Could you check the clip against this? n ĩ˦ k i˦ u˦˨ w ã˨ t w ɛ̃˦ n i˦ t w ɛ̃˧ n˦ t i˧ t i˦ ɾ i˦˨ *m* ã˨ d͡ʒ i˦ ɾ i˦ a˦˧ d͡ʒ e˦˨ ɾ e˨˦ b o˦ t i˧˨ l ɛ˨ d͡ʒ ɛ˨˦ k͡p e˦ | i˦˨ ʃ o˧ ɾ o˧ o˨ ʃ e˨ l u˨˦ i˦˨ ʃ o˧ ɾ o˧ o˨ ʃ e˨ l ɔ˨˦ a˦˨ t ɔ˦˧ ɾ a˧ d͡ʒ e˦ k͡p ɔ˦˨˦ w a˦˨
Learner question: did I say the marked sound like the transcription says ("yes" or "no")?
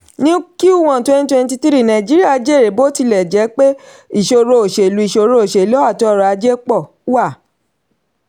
no